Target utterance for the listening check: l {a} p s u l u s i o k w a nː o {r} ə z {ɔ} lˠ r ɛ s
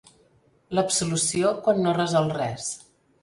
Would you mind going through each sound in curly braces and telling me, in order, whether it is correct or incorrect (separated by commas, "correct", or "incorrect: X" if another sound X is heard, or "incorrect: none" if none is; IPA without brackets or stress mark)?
incorrect: ə, correct, correct